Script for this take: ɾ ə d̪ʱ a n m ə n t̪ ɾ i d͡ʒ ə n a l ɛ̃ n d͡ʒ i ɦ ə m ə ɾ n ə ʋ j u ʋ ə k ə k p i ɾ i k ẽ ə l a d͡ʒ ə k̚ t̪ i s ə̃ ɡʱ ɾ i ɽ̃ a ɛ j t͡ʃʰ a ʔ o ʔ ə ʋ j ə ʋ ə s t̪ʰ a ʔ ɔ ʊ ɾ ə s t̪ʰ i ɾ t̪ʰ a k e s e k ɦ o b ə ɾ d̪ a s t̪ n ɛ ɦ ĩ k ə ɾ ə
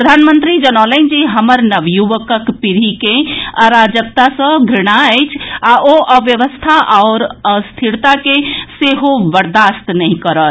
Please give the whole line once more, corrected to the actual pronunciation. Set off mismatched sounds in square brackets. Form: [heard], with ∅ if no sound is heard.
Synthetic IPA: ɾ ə d̪ʱ a n m ə n t̪ ɾ i d͡ʒ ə n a l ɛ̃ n d͡ʒ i ɦ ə m ə ɾ n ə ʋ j u ʋ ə k ə k p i ɾ i k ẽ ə [ɾ] a d͡ʒ ə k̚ t̪ [a] s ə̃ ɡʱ ɾ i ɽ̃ a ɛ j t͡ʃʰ a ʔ o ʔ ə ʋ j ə ʋ ə s t̪ʰ a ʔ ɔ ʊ ɾ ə s t̪ʰ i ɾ [t̪] a k e s e [∅] ɦ o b ə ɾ d̪ a s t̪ n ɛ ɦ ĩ k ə ɾ ə